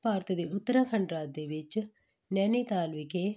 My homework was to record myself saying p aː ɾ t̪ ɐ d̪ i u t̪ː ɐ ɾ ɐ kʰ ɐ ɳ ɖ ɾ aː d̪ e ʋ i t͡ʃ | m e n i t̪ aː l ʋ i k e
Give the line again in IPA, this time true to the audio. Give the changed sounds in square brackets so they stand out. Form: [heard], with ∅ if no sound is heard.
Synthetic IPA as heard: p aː ɾ t̪ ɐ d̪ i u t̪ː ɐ ɾ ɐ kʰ ɐ ɳ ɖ ɾ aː d̪ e ʋ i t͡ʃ | [n] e n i t̪ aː l ʋ i k e